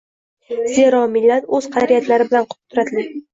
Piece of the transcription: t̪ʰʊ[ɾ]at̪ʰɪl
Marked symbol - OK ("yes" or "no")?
yes